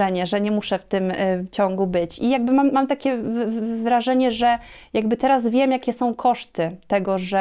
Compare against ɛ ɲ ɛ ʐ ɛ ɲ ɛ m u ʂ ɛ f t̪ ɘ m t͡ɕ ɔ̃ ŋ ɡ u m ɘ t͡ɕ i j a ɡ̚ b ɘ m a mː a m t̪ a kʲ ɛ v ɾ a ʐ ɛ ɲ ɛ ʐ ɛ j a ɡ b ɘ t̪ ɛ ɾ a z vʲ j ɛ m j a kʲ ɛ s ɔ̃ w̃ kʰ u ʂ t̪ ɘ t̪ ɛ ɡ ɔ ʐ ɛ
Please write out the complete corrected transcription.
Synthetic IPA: ɛ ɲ ɛ ʐ ɛ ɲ ɛ m u ʂ ɛ f t̪ ɘ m t͡ɕ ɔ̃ ŋ ɡ u b ɘ t͡ɕ i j a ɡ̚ b ɘ m a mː a m t̪ a kʲ ɛ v ɾ a ʐ ɛ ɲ ɛ ʐ ɛ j a ɡ b ɘ t̪ ɛ ɾ a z vʲ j ɛ m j a kʲ ɛ s ɔ̃ w̃ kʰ ɔ ʂ t̪ ɘ t̪ ɛ ɡ ɔ ʐ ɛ